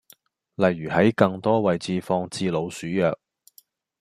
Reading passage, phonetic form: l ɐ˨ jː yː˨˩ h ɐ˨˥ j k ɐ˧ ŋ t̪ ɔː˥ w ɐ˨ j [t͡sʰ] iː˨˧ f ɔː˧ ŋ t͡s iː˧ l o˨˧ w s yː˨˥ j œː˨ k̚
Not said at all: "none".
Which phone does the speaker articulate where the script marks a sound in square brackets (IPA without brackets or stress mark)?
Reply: t͡s